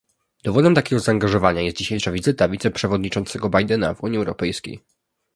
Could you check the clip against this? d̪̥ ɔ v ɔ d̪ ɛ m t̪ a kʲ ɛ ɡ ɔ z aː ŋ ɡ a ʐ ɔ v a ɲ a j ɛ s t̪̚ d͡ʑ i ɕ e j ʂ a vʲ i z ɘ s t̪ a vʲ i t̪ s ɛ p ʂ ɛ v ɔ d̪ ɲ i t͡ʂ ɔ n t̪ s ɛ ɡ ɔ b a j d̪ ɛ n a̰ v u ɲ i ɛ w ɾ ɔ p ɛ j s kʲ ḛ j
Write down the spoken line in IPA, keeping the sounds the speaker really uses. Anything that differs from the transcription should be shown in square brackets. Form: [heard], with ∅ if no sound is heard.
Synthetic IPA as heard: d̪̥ ɔ v ɔ d̪ ɛ m t̪ a kʲ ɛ ɡ ɔ z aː ŋ ɡ a ʐ ɔ v a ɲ a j ɛ s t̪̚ d͡ʑ i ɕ e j ʂ a vʲ i z ɘ [∅] t̪ a vʲ i t̪ s ɛ p ʂ ɛ v ɔ d̪ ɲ i t͡ʂ ɔ n t̪ s ɛ ɡ ɔ b a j d̪ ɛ n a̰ v u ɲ i ɛ w ɾ ɔ p ɛ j s kʲ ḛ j